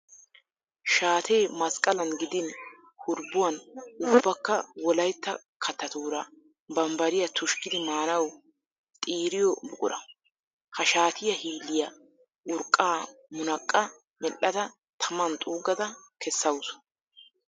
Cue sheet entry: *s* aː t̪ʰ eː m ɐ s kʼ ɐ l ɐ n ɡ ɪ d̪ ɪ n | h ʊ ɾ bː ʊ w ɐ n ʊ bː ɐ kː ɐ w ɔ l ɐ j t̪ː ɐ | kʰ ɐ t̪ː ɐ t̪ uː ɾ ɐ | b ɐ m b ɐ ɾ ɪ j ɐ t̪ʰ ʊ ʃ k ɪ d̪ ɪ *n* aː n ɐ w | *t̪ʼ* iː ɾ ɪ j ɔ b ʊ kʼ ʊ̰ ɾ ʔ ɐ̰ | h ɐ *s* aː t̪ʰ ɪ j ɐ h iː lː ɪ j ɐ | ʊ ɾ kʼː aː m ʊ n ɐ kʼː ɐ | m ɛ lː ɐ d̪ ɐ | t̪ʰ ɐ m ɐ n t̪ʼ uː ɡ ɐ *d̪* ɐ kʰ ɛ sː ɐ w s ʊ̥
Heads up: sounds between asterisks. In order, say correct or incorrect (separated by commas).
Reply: incorrect, incorrect, correct, incorrect, correct